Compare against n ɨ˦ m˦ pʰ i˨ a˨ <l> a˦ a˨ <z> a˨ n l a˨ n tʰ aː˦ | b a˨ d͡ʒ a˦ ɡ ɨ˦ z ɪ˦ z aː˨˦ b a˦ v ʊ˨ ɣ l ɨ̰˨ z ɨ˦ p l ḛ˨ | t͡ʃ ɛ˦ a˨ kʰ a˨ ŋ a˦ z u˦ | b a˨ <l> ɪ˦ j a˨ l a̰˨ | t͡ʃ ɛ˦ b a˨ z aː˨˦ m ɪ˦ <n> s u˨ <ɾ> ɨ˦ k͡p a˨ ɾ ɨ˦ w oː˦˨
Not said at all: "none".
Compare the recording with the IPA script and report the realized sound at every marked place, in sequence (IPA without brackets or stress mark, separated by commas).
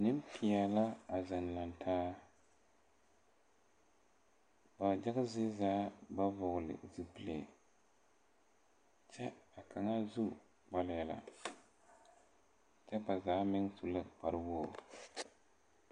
l, z, l, ŋ, l